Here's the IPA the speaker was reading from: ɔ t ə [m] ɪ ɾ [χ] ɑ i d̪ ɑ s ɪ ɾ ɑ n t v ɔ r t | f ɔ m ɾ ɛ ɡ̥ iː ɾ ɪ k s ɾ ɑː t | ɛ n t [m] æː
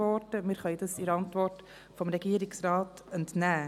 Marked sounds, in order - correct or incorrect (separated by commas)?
correct, correct, incorrect